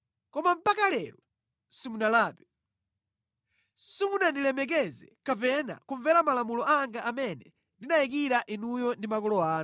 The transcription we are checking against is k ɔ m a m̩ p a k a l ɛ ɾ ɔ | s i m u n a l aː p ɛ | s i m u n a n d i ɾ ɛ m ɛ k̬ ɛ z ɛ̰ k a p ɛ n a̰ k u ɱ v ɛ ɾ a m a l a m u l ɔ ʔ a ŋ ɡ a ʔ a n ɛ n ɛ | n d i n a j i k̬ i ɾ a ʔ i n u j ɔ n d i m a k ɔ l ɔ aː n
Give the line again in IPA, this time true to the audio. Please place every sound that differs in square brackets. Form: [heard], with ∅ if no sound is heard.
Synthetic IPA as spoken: k ɔ m a m̩ p a k a l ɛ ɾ ɔ | s i m u n a l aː p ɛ | s i m u n a n d i [l] ɛ m ɛ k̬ ɛ z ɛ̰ k a p ɛ n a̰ k u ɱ v ɛ ɾ a m a l a m u l ɔ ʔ a ŋ ɡ a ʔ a [m] ɛ n ɛ | n d i n a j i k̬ i ɾ a ʔ i n u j ɔ n d i m a k ɔ l ɔ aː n